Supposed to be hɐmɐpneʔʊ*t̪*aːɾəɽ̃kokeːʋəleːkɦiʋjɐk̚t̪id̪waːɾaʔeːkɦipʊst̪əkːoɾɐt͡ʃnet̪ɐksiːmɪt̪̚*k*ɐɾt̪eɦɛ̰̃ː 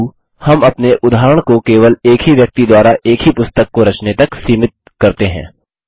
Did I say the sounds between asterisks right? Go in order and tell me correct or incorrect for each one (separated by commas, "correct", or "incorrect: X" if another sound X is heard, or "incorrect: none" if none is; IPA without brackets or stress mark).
incorrect: d̪, correct